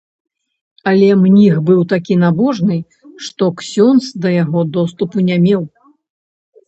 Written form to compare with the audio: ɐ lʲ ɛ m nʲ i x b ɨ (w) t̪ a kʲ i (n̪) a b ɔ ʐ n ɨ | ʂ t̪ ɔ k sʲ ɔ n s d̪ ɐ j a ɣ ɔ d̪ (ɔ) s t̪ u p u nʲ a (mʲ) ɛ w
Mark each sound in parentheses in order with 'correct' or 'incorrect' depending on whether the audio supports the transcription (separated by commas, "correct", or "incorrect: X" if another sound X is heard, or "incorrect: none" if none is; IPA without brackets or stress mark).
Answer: correct, correct, correct, correct